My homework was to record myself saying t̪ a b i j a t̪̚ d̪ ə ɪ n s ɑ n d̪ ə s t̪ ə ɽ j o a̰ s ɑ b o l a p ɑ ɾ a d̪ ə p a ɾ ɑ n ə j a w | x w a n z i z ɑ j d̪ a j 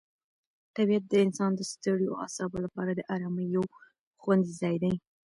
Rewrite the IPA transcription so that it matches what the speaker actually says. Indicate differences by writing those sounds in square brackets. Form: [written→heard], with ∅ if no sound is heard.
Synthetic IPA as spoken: t̪ a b i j a t̪̚ d̪ ə ɪ n s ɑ n d̪ ə s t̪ ə ɽ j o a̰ s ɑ b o l a p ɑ ɾ a d̪ ə [p→ʔ] a ɾ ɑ [n→m] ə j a w | x w a n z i z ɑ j d̪ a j